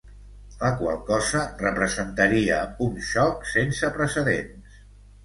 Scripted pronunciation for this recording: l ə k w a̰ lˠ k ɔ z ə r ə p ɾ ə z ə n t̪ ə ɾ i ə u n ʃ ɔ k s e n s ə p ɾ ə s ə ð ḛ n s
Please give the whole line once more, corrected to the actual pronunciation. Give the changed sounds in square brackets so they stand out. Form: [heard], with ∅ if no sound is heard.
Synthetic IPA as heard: l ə k w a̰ lˠ k ɔ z ə r ə p ɾ ə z ə n t̪ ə ɾ i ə u n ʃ ɔ k s e n s ə p ɾ ə s ə ð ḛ n s